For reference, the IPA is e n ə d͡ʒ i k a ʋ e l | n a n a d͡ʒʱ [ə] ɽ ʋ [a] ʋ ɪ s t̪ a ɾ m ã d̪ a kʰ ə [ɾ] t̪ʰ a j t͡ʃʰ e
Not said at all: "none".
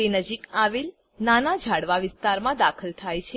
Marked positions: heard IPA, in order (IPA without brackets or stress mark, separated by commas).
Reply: a, a, l